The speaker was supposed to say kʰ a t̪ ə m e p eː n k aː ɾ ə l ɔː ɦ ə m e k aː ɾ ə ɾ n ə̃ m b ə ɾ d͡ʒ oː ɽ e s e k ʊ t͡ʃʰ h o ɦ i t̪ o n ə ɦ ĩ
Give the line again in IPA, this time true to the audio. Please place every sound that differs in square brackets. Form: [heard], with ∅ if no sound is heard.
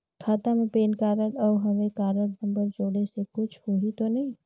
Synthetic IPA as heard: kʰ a t̪ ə m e p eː n k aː ɾ ə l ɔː ɦ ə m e k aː ɾ ə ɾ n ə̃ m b ə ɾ d͡ʒ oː ɽ e s e k ʊ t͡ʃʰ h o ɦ i t̪ o n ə ɦ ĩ